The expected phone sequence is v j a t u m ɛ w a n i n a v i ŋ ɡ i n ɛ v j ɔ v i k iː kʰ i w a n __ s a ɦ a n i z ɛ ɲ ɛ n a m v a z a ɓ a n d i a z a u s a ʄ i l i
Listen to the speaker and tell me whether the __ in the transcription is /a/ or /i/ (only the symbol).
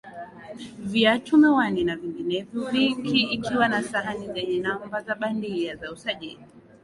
a